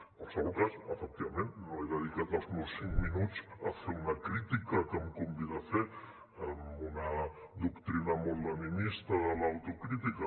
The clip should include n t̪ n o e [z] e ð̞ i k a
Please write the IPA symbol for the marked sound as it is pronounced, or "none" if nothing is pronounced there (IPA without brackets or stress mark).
ð